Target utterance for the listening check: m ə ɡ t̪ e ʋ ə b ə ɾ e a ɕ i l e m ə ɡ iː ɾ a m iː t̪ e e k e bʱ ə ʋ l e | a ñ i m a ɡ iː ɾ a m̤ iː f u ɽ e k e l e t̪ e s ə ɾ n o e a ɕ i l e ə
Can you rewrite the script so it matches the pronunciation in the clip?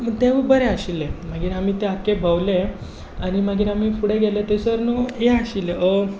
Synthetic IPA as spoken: m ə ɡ t̪ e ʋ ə b ə ɾ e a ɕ i l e m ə ɡ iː ɾ a m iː t̪ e a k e bʱ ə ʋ l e | a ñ i m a ɡ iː ɾ a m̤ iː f u ɽ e ɡ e l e t̪ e s ə ɾ n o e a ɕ i l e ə